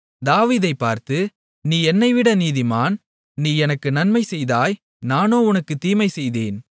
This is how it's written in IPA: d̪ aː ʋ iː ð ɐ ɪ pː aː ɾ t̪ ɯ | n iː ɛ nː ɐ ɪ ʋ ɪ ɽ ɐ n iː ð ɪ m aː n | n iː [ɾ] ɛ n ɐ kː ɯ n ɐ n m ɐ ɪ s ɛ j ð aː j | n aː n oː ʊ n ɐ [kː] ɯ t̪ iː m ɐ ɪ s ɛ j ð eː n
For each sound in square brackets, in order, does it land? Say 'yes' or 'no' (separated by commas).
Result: no, yes